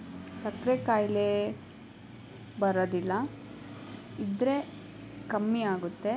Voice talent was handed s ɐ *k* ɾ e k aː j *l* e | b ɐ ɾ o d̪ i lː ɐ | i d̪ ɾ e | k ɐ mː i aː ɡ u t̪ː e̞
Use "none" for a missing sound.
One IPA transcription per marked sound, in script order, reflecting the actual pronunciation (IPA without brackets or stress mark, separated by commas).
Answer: k, l